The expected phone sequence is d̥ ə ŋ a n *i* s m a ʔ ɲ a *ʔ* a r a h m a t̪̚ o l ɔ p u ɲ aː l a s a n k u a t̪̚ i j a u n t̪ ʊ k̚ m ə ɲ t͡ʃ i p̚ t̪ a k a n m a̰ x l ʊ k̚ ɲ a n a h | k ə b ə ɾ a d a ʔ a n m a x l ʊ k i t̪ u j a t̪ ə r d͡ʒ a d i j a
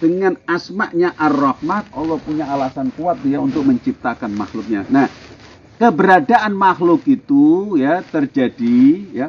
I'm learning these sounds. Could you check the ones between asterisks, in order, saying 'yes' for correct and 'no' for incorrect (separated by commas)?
no, yes